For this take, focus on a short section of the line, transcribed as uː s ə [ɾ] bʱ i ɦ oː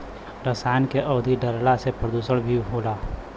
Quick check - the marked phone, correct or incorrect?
incorrect: ɽ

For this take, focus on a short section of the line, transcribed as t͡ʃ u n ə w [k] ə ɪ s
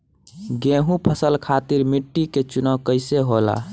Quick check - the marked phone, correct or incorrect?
correct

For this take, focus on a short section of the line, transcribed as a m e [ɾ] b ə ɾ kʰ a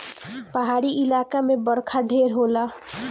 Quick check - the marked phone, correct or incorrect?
incorrect: none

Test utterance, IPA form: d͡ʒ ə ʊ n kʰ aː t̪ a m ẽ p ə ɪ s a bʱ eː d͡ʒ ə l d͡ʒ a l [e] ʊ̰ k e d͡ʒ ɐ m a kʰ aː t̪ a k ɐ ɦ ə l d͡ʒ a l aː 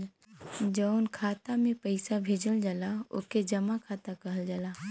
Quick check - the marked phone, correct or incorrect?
incorrect: a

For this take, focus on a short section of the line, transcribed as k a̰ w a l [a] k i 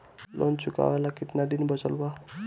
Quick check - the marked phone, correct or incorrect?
correct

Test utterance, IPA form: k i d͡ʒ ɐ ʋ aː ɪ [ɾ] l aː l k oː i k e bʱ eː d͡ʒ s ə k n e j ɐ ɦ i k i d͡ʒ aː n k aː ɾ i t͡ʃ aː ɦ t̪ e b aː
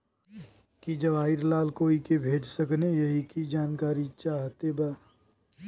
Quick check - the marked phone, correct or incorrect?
correct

